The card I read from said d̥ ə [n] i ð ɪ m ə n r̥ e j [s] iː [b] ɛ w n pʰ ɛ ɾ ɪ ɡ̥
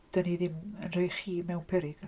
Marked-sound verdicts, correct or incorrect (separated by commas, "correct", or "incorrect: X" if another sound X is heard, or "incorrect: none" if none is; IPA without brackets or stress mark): correct, incorrect: χ, incorrect: m